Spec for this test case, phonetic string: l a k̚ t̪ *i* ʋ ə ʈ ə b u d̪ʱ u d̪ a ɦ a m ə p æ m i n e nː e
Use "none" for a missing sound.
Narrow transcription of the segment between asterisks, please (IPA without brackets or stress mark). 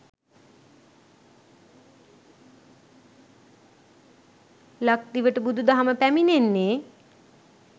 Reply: i